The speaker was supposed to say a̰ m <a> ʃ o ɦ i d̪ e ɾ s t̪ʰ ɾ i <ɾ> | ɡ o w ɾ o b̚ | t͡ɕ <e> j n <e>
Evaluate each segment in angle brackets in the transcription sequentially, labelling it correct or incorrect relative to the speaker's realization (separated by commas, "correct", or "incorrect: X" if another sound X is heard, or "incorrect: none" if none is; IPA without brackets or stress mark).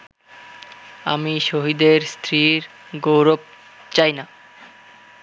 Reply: incorrect: i, correct, incorrect: a, incorrect: a